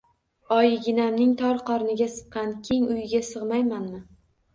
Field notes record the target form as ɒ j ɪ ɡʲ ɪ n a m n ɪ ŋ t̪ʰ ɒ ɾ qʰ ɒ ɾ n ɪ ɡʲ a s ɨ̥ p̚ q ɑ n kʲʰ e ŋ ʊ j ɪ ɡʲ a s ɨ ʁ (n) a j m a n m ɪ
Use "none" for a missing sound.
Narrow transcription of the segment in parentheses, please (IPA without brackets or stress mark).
m